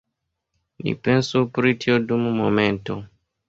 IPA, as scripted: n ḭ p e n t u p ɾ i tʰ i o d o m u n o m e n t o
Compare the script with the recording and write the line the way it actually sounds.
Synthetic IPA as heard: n ḭ p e n s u p ɾ i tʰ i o d u m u m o m e n t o